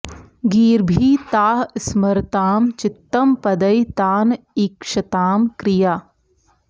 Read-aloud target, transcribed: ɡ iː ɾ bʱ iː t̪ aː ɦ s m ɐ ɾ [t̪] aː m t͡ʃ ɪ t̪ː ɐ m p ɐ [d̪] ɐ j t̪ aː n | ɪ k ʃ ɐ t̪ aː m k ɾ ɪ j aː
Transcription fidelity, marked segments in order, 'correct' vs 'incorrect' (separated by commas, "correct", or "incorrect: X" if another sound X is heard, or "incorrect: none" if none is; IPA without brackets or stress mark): correct, correct